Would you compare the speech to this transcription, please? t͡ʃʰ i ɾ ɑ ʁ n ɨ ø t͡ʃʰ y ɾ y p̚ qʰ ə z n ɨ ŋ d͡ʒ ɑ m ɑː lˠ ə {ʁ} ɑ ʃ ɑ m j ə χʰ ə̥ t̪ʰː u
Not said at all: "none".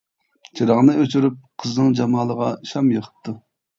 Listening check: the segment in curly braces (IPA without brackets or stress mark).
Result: ʁ